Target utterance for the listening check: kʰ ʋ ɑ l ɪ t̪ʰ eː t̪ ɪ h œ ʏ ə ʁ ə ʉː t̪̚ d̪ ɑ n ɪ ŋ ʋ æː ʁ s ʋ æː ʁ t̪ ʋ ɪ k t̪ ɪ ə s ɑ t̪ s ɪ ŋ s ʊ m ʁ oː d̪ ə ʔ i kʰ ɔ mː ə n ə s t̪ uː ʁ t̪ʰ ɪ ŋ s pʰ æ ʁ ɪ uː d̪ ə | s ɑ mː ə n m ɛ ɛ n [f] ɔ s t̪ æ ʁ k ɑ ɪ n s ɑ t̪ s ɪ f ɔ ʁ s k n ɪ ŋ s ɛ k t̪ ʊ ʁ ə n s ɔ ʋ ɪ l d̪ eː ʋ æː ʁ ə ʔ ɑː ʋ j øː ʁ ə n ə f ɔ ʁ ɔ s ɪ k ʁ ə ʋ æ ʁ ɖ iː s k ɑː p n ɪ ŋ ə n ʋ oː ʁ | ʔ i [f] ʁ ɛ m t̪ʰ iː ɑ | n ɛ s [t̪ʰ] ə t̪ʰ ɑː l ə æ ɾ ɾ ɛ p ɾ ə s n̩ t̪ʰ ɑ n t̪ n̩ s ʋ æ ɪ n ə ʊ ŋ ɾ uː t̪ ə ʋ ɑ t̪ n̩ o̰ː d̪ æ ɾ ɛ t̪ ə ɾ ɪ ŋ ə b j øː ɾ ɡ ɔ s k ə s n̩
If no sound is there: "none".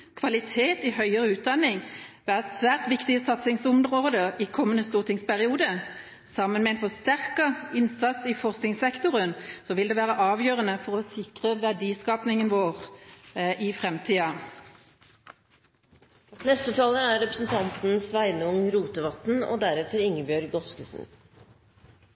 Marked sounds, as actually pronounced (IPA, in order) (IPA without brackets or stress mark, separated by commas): f, f, t̪